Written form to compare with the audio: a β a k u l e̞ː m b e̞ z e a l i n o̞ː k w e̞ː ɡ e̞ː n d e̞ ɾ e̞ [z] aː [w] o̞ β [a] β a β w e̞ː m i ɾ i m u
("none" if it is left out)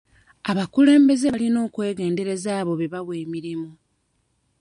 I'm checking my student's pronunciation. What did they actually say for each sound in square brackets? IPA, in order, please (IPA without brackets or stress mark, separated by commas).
z, β, e